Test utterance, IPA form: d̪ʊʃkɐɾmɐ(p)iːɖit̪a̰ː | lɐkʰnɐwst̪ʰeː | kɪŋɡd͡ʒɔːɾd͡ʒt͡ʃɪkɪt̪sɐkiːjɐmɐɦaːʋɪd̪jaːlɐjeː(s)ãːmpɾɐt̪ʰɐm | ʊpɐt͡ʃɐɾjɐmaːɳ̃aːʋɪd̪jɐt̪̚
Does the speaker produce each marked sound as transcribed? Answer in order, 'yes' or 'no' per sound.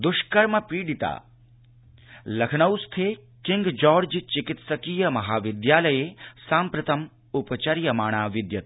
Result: yes, yes

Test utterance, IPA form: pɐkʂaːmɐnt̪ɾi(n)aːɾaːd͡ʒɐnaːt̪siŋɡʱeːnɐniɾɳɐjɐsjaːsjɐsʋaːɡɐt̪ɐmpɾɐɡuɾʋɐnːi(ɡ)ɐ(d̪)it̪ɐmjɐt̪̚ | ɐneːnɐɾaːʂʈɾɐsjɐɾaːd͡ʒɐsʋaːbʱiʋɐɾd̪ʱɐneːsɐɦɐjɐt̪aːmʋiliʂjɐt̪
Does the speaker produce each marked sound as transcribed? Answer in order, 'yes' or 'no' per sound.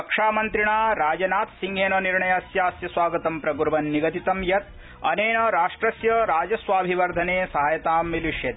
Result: no, yes, no

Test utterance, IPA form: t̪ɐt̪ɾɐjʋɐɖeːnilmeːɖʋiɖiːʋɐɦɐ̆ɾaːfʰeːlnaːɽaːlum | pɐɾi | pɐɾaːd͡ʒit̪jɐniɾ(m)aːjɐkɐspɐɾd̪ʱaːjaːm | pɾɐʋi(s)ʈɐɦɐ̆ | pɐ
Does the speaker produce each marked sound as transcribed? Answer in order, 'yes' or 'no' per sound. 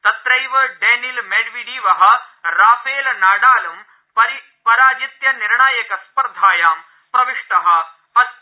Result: no, no

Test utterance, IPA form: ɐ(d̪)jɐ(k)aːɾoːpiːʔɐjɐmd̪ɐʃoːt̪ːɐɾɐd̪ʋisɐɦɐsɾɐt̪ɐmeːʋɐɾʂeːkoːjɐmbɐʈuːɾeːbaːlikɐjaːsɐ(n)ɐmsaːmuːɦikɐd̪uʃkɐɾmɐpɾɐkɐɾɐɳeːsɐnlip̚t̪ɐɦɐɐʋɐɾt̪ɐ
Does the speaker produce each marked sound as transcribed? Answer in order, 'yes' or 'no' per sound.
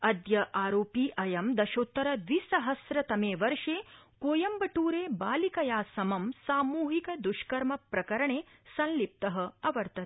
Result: yes, no, no

